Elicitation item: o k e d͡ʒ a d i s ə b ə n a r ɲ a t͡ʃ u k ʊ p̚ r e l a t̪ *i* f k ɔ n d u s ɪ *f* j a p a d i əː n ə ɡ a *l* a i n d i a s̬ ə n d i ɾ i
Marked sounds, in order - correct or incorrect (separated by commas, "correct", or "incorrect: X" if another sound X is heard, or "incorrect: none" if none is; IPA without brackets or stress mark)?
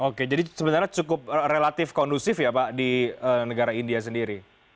incorrect: ɪ, correct, incorrect: ɾ